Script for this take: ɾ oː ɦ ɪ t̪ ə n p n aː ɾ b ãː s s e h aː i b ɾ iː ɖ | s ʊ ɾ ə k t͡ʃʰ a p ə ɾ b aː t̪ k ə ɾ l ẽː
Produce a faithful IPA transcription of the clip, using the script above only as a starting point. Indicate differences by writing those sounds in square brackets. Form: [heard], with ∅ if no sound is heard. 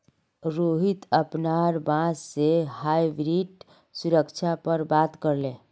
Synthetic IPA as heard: ɾ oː ɦ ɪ t̪ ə [∅] p n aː ɾ b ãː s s e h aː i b ɾ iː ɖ | s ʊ ɾ ə k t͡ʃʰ a p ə ɾ b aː t̪ k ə ɾ l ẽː